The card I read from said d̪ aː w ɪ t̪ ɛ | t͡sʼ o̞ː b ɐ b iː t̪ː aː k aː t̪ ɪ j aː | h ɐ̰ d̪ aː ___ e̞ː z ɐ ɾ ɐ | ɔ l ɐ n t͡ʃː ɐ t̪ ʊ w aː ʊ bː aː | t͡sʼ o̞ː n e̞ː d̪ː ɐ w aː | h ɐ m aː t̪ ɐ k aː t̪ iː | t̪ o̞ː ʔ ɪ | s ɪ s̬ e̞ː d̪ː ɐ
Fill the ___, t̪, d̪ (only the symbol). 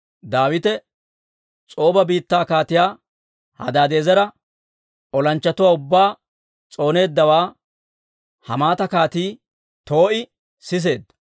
d̪